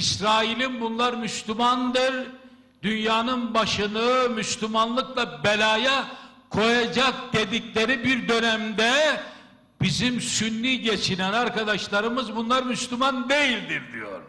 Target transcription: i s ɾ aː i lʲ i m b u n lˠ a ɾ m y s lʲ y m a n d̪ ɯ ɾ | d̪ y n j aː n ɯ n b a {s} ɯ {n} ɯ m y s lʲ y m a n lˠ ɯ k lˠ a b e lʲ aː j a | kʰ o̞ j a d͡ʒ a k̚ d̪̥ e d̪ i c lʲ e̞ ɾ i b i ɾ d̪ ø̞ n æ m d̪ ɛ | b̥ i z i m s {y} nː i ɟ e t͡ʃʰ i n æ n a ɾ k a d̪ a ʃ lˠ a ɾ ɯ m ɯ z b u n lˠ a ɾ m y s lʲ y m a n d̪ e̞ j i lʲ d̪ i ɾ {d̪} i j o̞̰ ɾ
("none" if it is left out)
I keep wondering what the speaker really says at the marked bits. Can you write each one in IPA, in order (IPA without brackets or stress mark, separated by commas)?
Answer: ʃ, n, y, d̪